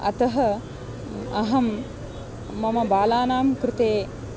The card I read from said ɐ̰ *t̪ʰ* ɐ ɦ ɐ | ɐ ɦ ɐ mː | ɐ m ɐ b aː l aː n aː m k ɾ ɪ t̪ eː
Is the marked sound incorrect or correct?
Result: incorrect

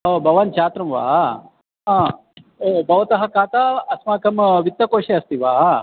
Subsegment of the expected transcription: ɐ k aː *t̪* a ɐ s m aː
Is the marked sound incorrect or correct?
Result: correct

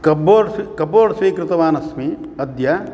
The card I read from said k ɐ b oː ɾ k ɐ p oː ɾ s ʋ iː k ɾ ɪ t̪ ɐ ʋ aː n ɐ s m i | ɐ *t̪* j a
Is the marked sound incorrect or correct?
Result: incorrect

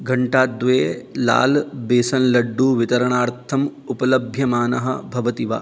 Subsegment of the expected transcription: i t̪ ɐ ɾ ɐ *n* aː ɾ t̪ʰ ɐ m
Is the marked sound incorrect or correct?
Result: incorrect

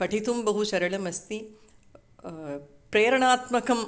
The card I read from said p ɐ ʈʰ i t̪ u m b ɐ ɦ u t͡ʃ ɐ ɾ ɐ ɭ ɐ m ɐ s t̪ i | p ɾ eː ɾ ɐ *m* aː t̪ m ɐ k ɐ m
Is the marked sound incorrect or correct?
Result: incorrect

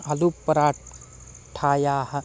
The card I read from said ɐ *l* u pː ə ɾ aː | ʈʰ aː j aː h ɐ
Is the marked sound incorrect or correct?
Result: correct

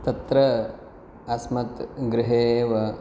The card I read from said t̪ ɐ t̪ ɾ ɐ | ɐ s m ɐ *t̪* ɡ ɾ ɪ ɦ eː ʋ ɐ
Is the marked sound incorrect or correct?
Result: correct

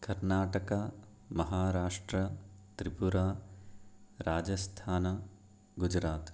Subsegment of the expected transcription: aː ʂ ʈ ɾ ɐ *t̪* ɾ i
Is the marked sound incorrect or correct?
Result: correct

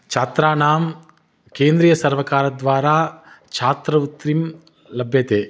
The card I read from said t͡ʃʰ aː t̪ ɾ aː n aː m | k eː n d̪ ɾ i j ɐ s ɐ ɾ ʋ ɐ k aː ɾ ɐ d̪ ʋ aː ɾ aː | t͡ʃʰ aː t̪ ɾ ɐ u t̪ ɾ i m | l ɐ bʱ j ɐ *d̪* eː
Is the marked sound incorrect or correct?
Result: incorrect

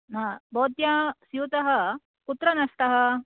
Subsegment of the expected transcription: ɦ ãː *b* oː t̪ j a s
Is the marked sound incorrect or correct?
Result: correct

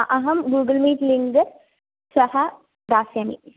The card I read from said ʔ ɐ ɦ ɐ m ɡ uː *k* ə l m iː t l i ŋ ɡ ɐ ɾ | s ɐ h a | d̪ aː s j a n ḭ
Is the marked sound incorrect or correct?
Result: incorrect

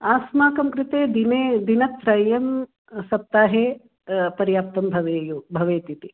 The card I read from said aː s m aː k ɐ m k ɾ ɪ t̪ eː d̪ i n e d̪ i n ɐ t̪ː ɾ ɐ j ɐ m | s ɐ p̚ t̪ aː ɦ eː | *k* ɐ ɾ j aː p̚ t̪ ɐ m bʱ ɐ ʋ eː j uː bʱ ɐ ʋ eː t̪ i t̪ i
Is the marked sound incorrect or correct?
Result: incorrect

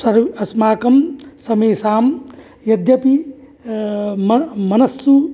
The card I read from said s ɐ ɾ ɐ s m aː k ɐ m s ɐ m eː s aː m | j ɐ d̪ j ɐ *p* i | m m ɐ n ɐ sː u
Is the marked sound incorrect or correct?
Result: correct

